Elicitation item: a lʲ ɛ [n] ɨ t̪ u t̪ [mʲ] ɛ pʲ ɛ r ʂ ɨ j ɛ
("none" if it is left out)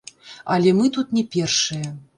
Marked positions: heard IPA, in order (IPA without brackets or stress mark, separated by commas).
m, nʲ